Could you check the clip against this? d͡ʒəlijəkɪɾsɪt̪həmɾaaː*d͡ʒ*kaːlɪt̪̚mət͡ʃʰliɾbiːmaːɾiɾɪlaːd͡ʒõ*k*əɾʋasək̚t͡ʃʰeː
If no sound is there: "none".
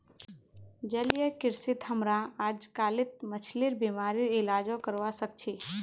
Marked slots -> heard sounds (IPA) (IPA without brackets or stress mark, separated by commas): d͡ʒ, k